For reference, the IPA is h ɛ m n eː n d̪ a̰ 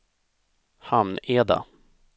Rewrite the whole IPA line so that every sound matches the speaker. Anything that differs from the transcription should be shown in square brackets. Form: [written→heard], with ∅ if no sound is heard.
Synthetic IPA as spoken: h [ɛ→a] m n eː [n→∅] d̪ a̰